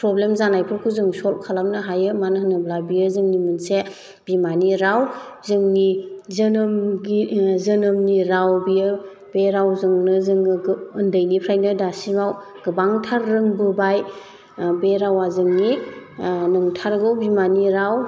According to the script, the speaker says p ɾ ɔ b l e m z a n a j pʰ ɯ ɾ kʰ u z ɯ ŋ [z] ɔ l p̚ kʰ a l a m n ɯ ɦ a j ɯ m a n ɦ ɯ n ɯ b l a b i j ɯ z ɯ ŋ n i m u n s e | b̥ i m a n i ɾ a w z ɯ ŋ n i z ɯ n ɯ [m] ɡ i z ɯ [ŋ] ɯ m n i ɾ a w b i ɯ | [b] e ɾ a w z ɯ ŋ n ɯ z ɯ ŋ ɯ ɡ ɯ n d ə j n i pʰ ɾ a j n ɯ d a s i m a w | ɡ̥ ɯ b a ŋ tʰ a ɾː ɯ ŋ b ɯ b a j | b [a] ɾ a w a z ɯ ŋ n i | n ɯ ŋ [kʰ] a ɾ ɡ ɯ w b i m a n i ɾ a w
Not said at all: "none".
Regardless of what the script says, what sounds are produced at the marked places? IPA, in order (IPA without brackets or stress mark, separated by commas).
s, m, n, b, e, tʰ